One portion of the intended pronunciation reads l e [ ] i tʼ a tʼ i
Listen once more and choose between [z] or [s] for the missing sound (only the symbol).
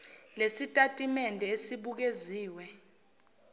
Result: s